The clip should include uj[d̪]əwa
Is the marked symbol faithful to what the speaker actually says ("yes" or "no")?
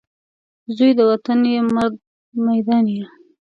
yes